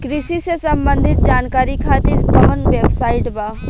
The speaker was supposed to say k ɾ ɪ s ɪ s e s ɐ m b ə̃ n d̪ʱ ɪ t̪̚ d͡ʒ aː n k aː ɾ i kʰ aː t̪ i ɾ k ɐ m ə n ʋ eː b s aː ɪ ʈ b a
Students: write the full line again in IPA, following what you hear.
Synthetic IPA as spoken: k ɾ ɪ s i s e s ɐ m b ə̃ n d̪ʱ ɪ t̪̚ d͡ʒ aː n k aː ɾ i kʰ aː t̪ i ɾ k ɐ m ə n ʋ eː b s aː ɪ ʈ b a